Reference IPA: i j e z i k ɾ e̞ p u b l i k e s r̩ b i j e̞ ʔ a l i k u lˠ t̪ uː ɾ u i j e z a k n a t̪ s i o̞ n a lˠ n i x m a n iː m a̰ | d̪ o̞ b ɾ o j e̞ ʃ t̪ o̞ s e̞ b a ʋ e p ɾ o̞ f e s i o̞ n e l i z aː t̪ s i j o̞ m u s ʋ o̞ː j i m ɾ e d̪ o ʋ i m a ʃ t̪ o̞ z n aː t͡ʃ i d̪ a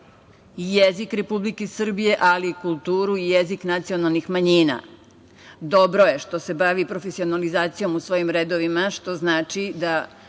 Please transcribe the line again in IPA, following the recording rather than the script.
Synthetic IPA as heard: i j e z i k ɾ e̞ p u b l i k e s r̩ b i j e̞ ʔ a l i k u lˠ t̪ uː ɾ u i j e z i k n a t̪ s i o̞ n a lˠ n i x m a ɲ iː n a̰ | d̪ o̞ b ɾ o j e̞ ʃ t̪ o̞ s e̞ b a ʋ i p ɾ o̞ f e s i o̞ n a l i z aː t̪ s i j o̞ m u s ʋ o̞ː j i m ɾ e d̪ o ʋ i m a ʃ t̪ o̞ z n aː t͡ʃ i d̪ a